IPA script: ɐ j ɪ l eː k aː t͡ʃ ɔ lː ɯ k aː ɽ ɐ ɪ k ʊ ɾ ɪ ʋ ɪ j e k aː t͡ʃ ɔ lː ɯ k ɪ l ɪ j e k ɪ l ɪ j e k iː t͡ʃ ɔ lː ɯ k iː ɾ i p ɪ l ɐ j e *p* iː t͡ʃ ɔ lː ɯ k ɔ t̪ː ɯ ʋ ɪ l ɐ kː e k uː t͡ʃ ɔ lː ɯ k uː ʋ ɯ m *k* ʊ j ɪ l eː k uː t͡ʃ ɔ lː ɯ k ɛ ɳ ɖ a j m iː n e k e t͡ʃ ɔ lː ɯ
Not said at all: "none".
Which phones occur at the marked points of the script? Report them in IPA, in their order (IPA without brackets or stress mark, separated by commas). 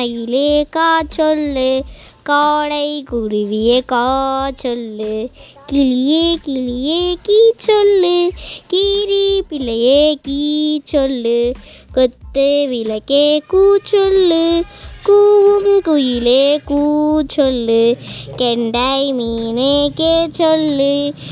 k, k